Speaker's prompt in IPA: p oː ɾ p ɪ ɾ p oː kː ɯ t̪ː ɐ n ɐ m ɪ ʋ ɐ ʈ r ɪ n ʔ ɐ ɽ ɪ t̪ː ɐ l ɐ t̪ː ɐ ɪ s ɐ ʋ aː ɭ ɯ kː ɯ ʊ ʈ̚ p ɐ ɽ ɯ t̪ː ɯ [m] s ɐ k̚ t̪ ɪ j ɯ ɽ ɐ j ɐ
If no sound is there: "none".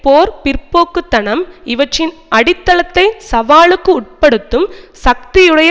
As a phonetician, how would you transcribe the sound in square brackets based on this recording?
m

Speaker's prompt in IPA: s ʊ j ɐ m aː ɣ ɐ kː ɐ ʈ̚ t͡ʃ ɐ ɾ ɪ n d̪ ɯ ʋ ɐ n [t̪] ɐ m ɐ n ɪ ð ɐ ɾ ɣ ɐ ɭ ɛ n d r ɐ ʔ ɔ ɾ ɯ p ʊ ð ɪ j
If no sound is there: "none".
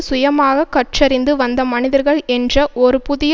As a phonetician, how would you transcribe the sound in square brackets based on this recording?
d̪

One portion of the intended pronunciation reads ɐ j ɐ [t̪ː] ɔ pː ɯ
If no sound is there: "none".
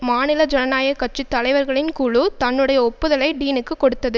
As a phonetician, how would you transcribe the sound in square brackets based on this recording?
none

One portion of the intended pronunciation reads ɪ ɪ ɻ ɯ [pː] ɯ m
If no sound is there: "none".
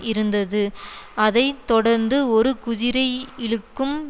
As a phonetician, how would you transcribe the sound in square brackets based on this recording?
kː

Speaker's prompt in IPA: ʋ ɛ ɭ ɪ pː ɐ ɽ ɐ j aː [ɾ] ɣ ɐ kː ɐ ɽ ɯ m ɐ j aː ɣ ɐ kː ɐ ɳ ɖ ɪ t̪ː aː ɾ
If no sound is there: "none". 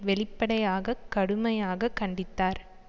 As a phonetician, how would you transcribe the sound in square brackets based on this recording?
none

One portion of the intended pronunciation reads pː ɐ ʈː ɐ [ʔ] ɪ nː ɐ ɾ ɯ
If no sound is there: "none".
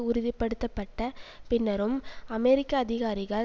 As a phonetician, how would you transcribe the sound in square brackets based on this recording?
p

